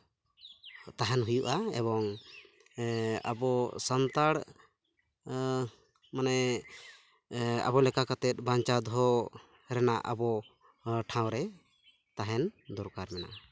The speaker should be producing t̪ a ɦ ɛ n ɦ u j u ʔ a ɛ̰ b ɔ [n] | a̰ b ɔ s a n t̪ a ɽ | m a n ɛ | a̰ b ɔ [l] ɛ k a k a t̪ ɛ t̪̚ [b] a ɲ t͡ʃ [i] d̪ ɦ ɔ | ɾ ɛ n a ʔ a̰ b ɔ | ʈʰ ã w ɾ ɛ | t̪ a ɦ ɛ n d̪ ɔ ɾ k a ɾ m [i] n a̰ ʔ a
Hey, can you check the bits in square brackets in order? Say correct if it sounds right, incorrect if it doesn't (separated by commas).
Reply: incorrect, correct, correct, incorrect, incorrect